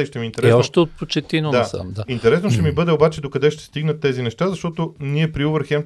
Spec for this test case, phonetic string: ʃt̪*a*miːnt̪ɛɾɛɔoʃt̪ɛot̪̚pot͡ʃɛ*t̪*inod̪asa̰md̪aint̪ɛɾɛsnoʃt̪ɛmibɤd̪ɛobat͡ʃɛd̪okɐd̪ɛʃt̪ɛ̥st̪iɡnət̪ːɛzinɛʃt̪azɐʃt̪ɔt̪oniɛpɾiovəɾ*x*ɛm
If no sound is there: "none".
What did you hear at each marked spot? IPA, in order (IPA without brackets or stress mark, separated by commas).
ɛ, t̪, x